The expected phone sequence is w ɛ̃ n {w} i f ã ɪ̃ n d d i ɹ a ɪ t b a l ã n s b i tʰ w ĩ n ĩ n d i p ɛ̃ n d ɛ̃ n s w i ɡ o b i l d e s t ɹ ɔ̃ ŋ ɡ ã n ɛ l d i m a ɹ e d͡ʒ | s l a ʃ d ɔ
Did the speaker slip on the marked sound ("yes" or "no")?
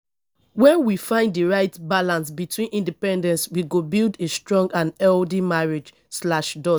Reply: no